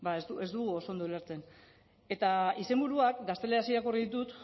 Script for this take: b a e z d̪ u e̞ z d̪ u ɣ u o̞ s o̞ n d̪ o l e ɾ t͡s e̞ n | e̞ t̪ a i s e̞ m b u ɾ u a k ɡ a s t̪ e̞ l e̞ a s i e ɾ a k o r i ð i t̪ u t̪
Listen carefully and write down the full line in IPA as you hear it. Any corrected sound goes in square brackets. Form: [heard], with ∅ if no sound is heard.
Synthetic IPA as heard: b a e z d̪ u e̞ z d̪ u ɣ u o̞ s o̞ n d̪ o l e ɾ t͡s e̞ n | e̞ t̪ a i s e̞ m b u ɾ u a k ɡ a s t̪ e̞ l e̞ a s i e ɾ a k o r i ð i t̪ u t̪